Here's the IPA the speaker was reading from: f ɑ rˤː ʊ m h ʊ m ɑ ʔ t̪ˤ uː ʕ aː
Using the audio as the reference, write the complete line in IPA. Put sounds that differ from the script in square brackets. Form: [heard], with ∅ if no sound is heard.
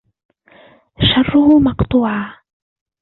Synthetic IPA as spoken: [ʃ] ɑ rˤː ʊ [∅] h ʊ m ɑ [q] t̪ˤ uː ʕ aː